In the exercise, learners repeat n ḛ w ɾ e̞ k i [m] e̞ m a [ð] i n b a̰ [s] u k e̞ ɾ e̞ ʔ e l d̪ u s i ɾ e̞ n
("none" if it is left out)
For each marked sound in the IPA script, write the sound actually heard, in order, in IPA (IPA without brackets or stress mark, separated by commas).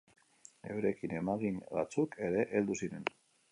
n, ɣ, t͡s